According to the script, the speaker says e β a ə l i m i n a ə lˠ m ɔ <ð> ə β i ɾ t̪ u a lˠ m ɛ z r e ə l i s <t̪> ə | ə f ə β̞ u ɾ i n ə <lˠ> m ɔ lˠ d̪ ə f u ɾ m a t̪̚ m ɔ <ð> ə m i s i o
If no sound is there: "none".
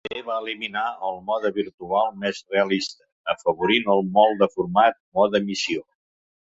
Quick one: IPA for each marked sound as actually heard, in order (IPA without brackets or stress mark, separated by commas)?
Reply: ð, t̪, lˠ, ð